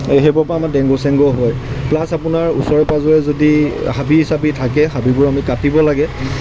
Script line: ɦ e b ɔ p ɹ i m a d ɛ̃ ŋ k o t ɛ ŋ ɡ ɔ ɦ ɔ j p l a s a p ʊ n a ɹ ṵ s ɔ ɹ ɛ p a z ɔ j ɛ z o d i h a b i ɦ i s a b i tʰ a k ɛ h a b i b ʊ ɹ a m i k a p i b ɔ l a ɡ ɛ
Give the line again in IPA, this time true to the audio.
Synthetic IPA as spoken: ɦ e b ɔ p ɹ a m a d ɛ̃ ŋ ɡ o s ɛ ŋ ɡ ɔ ɦ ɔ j p l a s a p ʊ n a ɹ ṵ s ɔ ɹ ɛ p a z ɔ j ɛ z o d i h a b i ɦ i s a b i tʰ a k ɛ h a b i b ʊ ɹ a m i k a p i b ɔ l a ɡ ɛ